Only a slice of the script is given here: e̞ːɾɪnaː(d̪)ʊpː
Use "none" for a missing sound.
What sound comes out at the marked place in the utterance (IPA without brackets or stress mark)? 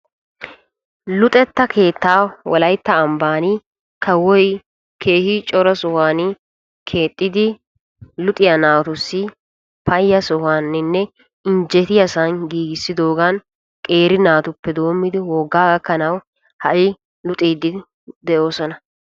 t̪